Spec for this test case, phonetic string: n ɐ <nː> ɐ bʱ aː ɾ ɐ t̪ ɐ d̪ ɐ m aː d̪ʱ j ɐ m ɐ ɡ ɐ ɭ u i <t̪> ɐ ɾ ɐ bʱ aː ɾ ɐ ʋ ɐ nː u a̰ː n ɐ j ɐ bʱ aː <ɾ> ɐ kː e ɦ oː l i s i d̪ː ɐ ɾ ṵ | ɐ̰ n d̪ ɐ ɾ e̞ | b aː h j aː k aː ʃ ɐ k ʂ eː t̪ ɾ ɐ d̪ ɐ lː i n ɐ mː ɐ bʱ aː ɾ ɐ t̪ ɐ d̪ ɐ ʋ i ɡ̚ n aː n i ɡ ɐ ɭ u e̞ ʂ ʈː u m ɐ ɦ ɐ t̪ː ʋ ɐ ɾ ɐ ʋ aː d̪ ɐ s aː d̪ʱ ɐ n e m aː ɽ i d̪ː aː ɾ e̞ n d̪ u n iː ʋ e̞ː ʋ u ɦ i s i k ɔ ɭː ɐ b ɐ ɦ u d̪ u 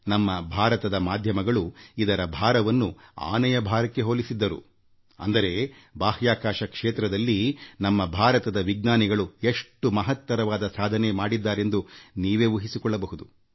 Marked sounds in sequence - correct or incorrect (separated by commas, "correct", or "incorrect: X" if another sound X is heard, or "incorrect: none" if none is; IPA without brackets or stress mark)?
incorrect: mː, incorrect: d̪, correct